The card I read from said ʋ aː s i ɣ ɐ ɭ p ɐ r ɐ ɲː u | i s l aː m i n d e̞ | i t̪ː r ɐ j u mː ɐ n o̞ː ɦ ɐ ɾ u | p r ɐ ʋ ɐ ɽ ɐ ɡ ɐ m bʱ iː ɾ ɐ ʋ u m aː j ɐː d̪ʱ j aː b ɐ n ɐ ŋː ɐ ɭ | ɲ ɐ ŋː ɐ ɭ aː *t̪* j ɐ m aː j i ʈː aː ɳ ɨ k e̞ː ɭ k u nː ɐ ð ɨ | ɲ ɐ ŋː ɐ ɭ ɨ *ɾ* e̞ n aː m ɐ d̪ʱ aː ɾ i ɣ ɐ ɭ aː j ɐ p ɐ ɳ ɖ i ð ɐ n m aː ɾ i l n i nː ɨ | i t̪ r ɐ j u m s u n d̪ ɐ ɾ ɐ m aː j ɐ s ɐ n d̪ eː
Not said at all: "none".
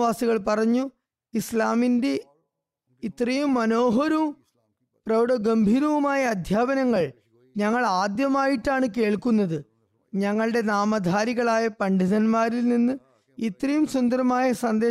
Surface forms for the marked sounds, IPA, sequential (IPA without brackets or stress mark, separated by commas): d̪, ɽ